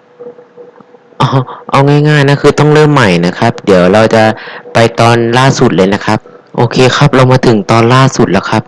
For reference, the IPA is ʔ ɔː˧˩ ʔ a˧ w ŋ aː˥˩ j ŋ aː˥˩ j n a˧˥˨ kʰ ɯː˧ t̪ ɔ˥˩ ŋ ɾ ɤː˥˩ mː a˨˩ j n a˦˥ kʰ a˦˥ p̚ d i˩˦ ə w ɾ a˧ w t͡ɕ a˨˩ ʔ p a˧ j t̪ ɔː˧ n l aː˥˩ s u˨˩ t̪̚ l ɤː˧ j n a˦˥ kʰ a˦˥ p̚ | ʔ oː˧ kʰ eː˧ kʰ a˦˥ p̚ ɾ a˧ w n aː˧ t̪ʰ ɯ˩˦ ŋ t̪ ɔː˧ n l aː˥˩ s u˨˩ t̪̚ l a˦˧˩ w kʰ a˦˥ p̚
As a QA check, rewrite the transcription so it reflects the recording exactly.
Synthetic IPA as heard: ʔ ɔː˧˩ ʔ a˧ w ŋ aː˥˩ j ŋ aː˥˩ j n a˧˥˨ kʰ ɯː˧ t̪ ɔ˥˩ ŋ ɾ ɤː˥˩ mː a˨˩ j n a˦˥ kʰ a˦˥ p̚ d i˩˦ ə w ɾ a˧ w t͡ɕ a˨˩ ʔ p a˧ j t̪ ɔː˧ n l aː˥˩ s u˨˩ t̪̚ l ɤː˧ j n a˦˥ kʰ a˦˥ p̚ | ʔ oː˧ kʰ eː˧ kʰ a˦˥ p̚ ɾ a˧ w m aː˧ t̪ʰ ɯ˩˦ ŋ t̪ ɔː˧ n l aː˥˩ s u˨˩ t̪̚ l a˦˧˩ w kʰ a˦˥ p̚

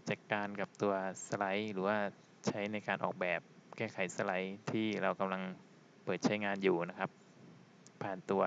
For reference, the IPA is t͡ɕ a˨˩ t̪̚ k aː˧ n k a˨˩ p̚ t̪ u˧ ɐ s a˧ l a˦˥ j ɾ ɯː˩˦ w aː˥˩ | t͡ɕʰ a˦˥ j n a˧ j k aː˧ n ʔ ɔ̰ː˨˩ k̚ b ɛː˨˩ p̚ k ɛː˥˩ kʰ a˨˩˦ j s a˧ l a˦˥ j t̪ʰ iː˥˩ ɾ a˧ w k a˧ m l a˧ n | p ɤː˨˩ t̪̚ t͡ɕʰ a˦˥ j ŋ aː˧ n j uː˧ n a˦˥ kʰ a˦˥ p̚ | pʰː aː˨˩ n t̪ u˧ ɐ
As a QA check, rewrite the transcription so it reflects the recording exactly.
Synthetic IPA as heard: t͡ɕ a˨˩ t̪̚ k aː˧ n k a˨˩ p̚ t̪ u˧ ɐ s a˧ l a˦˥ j ɾ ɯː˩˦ w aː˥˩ | t͡ɕʰ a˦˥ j n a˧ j k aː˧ n ʔ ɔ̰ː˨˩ k̚ b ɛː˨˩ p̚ k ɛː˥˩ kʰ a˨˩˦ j s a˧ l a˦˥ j t̪ʰ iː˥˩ ɾ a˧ w k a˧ m l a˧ ŋ | p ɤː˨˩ t̪̚ t͡ɕʰ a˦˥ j ŋ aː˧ n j uː˨˩ n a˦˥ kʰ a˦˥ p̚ | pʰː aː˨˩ n t̪ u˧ ɐ

